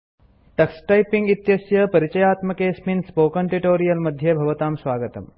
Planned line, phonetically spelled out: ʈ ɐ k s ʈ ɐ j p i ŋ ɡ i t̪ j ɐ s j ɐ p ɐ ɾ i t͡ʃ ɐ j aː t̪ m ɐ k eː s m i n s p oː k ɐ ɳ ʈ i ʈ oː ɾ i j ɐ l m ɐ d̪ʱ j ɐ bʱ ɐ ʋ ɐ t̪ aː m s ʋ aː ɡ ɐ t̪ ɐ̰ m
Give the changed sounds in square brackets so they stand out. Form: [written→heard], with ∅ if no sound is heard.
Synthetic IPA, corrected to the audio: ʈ ɐ k s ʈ ɐ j p i ŋ ɡ i t̪ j ɐ s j ɐ p ɐ ɾ i t͡ʃ ɐ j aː t̪ m ɐ k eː s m i n s p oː k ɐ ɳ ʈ i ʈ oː ɾ i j ɐ l m ɐ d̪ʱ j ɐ bʱ ɐ ʋ ɐ t̪ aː m s ʋ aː ɡ ɐ t̪ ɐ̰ m